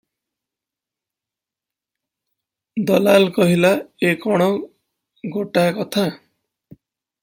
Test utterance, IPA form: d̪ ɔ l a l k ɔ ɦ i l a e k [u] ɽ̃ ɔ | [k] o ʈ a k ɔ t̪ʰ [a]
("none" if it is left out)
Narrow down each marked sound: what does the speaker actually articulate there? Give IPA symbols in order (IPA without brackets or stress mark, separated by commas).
ɔ, ɡ, a